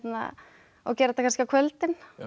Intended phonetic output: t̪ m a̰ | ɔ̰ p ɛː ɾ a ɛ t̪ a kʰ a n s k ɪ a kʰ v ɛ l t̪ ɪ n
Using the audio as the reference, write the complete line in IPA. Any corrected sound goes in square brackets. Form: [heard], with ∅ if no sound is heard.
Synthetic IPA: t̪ [n] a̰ | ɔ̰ [c] ɛː ɾ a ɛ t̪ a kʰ a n s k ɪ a kʰ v [œ] l t̪ ɪ n